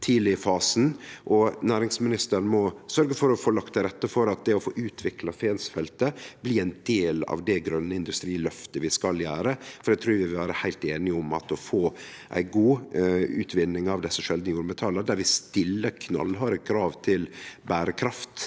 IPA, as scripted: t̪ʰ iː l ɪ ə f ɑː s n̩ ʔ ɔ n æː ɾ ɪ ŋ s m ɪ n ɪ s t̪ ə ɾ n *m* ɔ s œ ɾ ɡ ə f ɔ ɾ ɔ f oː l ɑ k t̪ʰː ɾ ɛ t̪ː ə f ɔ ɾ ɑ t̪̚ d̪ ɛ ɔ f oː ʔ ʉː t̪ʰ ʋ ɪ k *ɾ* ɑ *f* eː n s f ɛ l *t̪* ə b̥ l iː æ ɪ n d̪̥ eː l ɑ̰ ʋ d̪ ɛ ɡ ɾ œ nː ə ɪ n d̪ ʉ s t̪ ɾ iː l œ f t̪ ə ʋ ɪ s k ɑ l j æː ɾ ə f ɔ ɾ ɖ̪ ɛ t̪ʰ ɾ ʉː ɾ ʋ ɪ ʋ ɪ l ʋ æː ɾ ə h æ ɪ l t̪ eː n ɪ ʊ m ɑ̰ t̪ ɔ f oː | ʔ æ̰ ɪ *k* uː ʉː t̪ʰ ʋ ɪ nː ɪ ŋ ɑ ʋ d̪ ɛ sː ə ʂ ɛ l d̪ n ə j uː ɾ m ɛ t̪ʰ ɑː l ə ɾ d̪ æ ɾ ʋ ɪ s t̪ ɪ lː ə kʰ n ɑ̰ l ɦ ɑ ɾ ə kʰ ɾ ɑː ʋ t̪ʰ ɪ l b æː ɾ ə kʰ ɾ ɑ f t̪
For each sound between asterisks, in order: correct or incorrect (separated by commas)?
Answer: correct, incorrect, correct, correct, incorrect